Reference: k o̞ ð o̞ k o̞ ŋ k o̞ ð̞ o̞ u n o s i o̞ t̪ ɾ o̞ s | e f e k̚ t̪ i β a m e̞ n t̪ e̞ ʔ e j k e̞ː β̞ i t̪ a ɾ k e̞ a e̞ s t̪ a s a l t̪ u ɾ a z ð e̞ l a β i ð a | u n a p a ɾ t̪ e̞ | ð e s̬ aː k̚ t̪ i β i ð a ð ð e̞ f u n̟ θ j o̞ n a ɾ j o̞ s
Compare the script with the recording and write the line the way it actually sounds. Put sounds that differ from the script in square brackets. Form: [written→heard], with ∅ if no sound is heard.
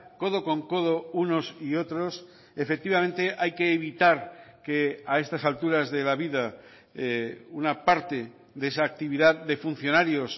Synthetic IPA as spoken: k o̞ ð o̞ k o̞ ŋ k o̞ ð̞ o̞ u n o s i o̞ t̪ ɾ o̞ s | e f e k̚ t̪ i β a m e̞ n t̪ e̞ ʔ [e→a] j k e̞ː β̞ i t̪ a ɾ k e̞ a e̞ s t̪ a s a l t̪ u ɾ a z ð e̞ l a β i ð a | u n a p a ɾ t̪ e̞ | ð e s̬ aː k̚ t̪ i β i ð a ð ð e̞ f u n̟ θ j o̞ n a ɾ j o̞ s

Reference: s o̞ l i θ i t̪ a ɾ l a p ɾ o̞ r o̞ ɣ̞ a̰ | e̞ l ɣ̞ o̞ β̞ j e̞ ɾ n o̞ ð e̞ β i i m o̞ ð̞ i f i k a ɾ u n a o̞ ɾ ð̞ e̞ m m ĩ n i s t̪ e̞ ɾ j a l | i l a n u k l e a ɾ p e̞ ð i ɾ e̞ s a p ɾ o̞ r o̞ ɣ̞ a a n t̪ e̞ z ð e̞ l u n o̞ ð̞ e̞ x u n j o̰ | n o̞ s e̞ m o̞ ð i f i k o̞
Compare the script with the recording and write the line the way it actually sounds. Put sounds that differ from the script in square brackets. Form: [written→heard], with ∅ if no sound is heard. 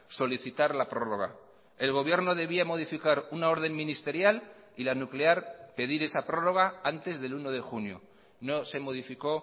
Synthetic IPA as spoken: s o̞ l i θ i t̪ a ɾ l a p ɾ o̞ r o̞ ɣ̞ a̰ | e̞ l ɣ̞ o̞ β̞ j e̞ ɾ n o̞ ð e̞ β i [i→a] m o̞ ð̞ i f i k a ɾ u n a o̞ ɾ ð̞ e̞ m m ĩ n i s t̪ e̞ ɾ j a l | i l a n u k l e a ɾ p e̞ ð i ɾ e̞ s a p ɾ o̞ r o̞ ɣ̞ a a n t̪ e̞ z ð e̞ l u n o̞ ð̞ e̞ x u n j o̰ | n o̞ s e̞ m o̞ ð i f i k o̞

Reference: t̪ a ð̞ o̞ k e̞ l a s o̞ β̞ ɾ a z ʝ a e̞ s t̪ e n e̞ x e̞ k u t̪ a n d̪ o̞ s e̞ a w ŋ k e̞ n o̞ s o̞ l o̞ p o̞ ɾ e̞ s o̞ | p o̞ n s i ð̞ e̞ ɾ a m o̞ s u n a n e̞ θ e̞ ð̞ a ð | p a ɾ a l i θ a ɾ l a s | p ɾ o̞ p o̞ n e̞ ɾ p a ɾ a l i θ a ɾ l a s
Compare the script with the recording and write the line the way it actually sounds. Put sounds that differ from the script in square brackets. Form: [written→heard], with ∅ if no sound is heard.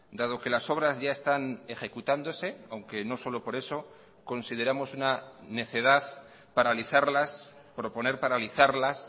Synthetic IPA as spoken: [t̪→d̪] a ð̞ o̞ k e̞ l a s o̞ β̞ ɾ a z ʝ a e̞ s t̪ [e→a] n e̞ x e̞ k u t̪ a n d̪ o̞ s e̞ a w ŋ k e̞ n o̞ s o̞ l o̞ p o̞ ɾ e̞ s o̞ | [p→k] o̞ n s i ð̞ e̞ ɾ a m o̞ s u n a n e̞ θ e̞ ð̞ a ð | p a ɾ a l i θ a ɾ l a s | p ɾ o̞ p o̞ n e̞ ɾ p a ɾ a l i θ a ɾ l a s

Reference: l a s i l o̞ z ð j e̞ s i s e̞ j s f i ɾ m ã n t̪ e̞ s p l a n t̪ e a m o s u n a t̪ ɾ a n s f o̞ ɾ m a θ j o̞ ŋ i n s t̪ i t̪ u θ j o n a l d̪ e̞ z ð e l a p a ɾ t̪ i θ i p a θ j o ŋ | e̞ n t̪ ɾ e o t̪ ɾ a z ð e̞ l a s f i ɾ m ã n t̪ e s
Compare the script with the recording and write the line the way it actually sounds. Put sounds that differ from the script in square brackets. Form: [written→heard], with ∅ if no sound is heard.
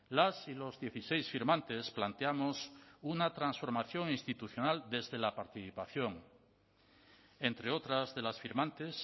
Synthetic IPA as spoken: l a s i l o̞ z ð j e̞ [s→θ] i s e̞ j s f i ɾ m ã n t̪ e̞ s p l a n t̪ e a m o s u n a t̪ ɾ a n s f o̞ ɾ m a θ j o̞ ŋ i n s t̪ i t̪ u θ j o n a l d̪ e̞ z ð e l a p a ɾ t̪ i θ i p a θ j o ŋ | e̞ n t̪ ɾ e o t̪ ɾ a z ð e̞ l a s f i ɾ m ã n t̪ e s

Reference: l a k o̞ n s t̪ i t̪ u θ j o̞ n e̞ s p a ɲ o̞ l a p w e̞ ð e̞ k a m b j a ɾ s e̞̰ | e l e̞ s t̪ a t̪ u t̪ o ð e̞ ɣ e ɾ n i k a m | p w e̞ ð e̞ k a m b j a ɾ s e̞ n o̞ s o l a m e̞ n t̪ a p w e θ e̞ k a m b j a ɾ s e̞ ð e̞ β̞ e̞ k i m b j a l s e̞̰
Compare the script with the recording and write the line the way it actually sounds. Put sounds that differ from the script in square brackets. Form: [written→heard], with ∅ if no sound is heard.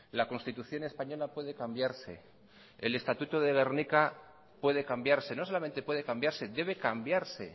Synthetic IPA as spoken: l a k o̞ n s t̪ i t̪ u θ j o̞ n e̞ s p a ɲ o̞ l a p w e̞ ð e̞ k a m b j a ɾ s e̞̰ | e l e̞ s t̪ a t̪ u t̪ o ð e̞ ɣ e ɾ n i k a [m→∅] | p w e̞ ð e̞ k a m b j a ɾ s e̞ n o̞ s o l a m e̞ n t̪ [a→e] p w e [θ→ð] e̞ k a m b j a ɾ s e̞ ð e̞ β̞ e̞ k [i→a] m b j a [l→ɾ] s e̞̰

